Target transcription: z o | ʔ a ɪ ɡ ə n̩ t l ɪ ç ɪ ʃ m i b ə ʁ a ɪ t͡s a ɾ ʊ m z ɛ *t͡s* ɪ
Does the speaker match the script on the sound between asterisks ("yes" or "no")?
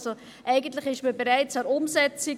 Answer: yes